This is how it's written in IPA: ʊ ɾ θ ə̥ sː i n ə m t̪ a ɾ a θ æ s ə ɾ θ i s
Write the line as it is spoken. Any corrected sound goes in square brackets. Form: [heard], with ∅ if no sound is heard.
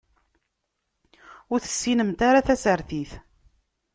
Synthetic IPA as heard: ʊ ɾ θ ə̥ sː i n ə m t̪ a ɾ a θ æ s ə ɾ θ i [θ]